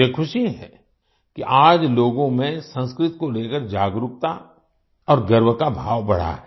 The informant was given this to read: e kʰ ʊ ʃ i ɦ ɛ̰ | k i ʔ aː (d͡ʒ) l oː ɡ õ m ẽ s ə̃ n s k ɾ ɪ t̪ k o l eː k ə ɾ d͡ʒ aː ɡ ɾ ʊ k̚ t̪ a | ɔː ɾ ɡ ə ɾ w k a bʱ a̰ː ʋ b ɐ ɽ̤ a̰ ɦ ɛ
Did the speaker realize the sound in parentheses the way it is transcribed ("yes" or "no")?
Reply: yes